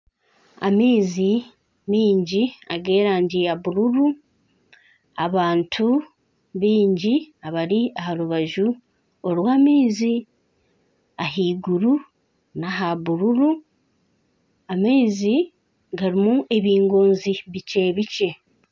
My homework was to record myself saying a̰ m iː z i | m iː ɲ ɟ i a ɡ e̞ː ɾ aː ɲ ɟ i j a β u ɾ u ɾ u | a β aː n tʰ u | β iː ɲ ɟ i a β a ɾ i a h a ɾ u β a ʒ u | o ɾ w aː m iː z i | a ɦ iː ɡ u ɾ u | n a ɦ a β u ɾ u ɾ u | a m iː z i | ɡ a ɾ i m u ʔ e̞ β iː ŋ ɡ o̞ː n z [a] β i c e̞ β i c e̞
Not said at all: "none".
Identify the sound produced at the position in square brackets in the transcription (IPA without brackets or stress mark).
i